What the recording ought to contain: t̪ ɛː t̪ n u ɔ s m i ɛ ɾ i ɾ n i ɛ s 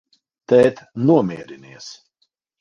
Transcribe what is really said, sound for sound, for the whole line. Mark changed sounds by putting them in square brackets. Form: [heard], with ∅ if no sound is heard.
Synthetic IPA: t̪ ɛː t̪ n u ɔ [∅] m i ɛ ɾ i [∅] n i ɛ s